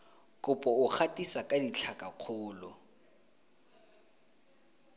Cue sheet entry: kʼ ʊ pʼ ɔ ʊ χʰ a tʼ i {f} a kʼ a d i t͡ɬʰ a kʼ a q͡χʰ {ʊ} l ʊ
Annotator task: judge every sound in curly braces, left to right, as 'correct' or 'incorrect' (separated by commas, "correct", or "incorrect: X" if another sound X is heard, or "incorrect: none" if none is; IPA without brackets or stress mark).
incorrect: s, incorrect: ʊː